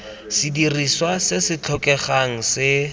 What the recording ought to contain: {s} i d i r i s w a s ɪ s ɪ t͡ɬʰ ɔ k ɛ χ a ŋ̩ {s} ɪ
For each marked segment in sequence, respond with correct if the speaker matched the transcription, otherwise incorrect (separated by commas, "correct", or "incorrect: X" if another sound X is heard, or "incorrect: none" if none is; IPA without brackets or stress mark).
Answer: correct, correct